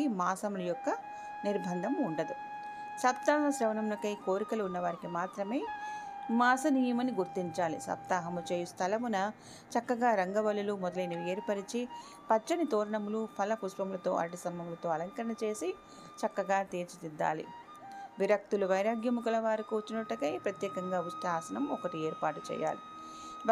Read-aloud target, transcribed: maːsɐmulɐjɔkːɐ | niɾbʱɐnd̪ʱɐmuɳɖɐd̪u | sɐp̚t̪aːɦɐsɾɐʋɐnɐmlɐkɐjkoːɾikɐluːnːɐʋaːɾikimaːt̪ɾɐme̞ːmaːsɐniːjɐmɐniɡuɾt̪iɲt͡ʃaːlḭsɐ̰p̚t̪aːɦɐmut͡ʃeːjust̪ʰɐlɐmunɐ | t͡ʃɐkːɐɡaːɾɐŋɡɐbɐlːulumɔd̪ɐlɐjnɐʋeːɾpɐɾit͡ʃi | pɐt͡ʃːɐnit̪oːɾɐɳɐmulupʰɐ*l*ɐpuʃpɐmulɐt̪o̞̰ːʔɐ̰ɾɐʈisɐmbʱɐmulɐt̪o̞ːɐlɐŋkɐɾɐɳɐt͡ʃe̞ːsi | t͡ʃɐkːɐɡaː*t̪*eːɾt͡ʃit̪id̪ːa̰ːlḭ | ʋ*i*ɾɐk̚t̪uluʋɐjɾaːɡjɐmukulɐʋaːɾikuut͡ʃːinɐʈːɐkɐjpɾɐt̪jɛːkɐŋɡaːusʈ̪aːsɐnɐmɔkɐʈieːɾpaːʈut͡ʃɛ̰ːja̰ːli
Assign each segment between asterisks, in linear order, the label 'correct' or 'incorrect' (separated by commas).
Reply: correct, correct, correct